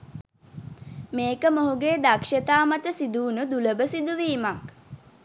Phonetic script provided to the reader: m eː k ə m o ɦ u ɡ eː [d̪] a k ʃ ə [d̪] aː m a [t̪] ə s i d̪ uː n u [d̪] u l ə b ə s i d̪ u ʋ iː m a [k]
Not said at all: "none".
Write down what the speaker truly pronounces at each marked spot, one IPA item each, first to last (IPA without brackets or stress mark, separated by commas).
d̪, t̪, t̪, d̪, k